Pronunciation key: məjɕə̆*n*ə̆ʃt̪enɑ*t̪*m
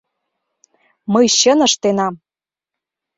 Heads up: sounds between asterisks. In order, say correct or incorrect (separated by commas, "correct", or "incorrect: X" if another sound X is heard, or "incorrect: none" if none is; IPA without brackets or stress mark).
correct, incorrect: none